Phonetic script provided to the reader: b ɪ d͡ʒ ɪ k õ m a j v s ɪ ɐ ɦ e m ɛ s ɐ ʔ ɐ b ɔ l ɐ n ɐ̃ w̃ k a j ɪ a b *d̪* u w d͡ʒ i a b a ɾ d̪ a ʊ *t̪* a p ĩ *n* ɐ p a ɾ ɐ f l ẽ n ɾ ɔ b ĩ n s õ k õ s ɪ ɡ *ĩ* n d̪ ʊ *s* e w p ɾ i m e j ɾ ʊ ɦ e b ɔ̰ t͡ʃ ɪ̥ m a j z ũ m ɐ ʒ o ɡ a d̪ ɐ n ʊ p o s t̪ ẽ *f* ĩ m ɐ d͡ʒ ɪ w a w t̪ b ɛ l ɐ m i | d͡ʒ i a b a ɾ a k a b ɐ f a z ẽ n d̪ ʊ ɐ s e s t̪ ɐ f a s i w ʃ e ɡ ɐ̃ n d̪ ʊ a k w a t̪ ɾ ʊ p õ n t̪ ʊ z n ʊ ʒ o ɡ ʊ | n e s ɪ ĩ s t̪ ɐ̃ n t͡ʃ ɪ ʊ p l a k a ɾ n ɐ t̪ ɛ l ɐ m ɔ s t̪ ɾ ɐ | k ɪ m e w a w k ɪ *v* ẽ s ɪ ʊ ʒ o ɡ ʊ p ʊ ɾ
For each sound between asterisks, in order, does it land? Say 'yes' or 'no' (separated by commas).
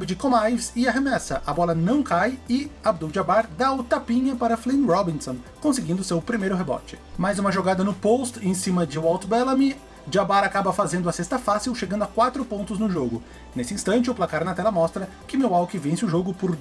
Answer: yes, yes, no, yes, yes, no, yes